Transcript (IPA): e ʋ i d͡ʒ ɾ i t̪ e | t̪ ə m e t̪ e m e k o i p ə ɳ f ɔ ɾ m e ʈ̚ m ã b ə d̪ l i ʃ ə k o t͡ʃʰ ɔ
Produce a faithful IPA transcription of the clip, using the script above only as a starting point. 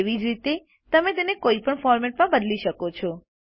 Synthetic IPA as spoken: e ʋ i d͡ʒ ɾ i t̪ e | t̪ ə m e t̪ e n e k o i p ə ɳ f ɔ ɾ m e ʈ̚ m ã b ə d̪ l i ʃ ə k o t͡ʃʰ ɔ

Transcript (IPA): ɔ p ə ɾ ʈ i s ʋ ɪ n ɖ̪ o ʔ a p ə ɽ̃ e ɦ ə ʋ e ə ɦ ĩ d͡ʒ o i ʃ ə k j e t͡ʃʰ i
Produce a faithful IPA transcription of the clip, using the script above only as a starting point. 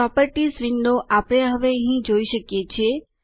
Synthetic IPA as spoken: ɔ p ə ɾ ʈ i s ʋ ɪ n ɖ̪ o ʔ a p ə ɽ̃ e ɦ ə ʋ e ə ɦ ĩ d͡ʒ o i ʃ ə k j e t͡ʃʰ e

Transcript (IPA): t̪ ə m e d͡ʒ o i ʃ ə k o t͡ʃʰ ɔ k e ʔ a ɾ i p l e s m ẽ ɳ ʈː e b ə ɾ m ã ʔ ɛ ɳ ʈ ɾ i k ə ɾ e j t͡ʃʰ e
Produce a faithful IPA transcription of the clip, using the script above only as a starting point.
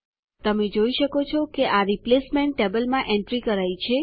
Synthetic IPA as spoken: t̪ ə m e d͡ʒ o i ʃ ə k o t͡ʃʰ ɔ k e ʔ a ɾ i p l e s m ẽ ɳ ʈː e b ə l m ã ʔ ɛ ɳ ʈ ɾ i k ə ɾ a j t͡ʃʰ e

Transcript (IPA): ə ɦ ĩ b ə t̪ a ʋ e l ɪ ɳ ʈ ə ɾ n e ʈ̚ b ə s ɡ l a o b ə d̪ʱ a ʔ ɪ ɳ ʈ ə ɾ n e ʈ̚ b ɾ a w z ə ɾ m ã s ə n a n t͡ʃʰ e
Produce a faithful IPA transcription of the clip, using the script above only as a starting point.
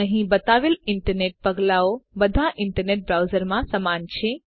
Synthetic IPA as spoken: ə ɦ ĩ b ə t̪ a ʋ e l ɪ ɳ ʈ ə ɾ n e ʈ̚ p ə ɡ l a o b ə d̪ʱ a ʔ ɪ ɳ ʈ ə ɾ n e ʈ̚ b ɾ a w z ə ɾ m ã s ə m a n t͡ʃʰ e

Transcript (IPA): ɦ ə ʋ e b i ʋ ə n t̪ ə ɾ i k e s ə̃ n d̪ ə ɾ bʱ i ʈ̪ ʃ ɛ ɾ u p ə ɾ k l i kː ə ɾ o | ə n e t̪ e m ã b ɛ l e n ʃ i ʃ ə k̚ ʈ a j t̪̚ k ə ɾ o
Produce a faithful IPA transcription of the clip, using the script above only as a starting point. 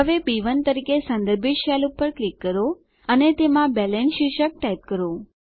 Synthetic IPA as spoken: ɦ ə ʋ e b i ʋ ə n t̪ ə ɾ i k e s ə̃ n d̪ ə ɾ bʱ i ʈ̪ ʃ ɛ l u p ə ɾ k l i kː ə ɾ o | ə n e t̪ e m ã b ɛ l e n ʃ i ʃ ə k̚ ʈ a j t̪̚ k ə ɾ o

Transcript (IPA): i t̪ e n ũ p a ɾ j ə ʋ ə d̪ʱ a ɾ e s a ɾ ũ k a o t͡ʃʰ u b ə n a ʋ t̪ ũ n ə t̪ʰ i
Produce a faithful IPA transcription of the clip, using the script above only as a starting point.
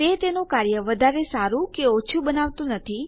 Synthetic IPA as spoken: e t̪ e n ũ k a ɾ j ə ʋ ə d̪ʱ a ɾ e s a ɾ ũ k e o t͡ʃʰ u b ə n a ʋ t̪ ũ n ə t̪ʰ i

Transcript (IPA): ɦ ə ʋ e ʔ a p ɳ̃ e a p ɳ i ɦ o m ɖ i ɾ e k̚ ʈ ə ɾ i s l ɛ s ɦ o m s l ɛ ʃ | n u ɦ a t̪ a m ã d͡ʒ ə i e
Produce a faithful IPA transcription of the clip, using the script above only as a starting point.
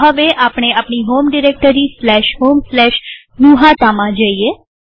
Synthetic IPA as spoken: ɦ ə ʋ e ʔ a p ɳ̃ e a p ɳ i ɦ o m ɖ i ɾ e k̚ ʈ ə ɾ i s l ɛ ʃ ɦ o m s l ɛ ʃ | n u ɦ a t̪ a m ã d͡ʒ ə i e

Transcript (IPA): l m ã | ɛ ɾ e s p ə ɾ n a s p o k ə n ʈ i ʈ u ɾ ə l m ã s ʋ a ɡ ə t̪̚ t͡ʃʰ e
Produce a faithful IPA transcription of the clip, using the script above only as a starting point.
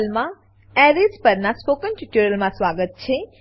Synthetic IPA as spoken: l m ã | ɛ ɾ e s p ə ɾ n a s p o k ə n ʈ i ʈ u ɾ ə l m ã s ʋ a ɡ ə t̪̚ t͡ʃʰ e

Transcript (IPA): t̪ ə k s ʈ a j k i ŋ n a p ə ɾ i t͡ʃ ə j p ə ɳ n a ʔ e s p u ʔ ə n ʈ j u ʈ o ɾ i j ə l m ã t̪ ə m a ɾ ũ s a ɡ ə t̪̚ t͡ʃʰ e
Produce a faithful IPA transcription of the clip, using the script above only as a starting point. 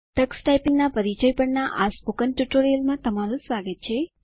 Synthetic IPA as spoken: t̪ ə k s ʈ a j p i ŋ n a p ə ɾ i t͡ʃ ə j p ə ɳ n a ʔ a s p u k ə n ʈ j u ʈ o ɾ i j ə l m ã t̪ ə m a ɾ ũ s a ɡ ə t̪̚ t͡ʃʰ e

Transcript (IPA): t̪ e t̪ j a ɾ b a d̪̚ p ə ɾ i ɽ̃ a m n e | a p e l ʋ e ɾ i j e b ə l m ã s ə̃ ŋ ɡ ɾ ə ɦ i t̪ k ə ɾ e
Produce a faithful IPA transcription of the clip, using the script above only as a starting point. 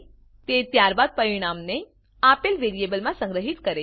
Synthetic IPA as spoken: t̪ e t̪ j a ɾ b a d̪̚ p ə ɾ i ɽ̃ a m n e | a p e l ʋ e ɾ i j e b ə l m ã s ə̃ ŋ ɡ ɾ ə ɦ i t̪ k ə ɾ e

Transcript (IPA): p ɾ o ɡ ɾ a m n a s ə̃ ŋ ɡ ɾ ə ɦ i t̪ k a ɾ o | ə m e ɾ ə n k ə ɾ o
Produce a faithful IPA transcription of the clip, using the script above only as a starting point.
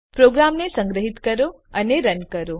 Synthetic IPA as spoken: p ɾ o ɡ ɾ a m n e s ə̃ ŋ ɡ ɾ ə ɦ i t̪ k ə ɾ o | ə n e ɾ ə n k ə ɾ o

